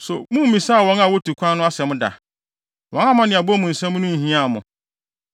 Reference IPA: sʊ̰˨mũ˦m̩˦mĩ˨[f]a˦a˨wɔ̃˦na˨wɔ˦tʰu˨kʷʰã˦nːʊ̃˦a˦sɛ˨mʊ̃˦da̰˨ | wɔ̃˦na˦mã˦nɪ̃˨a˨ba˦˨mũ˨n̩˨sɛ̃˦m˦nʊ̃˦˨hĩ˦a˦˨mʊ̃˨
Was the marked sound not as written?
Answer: yes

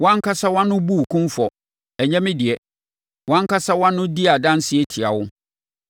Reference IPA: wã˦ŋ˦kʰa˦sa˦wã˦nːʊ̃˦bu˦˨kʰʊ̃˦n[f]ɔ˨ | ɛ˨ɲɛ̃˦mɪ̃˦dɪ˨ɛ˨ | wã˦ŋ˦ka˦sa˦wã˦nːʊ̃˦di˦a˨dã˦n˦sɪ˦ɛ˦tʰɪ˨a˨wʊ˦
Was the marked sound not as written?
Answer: no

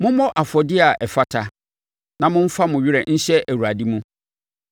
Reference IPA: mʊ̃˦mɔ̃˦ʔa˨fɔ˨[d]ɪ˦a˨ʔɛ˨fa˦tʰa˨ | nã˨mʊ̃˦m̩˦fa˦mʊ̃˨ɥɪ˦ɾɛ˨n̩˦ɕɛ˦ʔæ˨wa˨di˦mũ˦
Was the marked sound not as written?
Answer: no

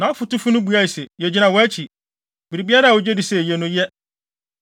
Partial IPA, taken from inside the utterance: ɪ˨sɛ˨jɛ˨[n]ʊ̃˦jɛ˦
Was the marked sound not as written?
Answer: no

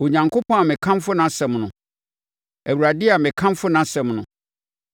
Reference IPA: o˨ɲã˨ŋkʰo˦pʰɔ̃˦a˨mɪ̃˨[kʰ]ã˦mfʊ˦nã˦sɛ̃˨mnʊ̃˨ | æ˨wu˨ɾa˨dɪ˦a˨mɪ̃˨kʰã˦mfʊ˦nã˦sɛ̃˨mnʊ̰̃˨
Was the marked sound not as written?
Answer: no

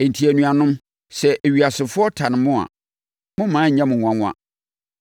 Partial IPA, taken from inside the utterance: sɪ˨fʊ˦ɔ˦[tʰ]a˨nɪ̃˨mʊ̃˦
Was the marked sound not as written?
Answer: no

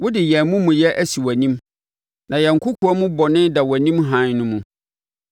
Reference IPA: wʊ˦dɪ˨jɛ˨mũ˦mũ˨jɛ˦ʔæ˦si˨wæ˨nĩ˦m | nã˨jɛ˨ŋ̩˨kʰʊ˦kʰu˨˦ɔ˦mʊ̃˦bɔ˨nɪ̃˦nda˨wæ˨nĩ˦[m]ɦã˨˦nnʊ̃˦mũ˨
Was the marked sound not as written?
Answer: no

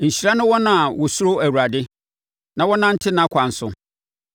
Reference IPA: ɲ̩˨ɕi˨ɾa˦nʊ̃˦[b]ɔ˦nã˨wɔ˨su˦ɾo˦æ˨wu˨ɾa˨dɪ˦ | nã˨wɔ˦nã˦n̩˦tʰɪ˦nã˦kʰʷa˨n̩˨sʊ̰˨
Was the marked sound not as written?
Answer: yes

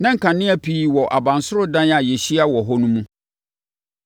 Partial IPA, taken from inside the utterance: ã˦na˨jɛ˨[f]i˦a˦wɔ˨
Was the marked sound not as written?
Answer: yes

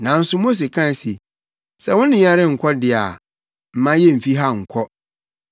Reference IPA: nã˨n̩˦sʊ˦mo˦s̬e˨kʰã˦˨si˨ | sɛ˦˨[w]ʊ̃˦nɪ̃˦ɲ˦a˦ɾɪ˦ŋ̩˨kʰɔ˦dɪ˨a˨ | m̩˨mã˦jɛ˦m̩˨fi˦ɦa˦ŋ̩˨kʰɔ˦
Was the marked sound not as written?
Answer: no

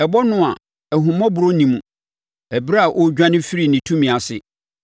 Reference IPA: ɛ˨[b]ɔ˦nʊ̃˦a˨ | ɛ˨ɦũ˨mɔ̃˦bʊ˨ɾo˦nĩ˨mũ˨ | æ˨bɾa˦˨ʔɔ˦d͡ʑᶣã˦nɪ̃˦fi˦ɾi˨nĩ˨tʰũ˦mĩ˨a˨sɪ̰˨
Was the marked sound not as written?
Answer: no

